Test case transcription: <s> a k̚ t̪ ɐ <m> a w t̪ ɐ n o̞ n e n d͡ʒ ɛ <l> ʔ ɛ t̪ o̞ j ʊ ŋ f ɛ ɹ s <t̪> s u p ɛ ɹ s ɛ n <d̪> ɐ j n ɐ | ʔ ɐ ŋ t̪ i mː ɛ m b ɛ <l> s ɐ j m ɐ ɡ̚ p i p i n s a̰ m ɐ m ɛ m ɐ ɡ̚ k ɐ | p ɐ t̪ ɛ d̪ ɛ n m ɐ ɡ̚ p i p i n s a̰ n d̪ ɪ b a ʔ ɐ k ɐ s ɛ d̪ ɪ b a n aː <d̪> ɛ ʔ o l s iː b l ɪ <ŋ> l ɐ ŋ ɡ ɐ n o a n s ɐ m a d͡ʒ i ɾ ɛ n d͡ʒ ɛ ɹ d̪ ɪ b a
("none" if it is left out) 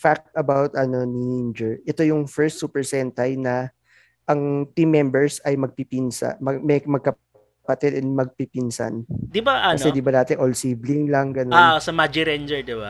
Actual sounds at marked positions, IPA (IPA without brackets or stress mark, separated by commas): f, b, ɹ, t̪, t̪, ɹ, t̪, ŋ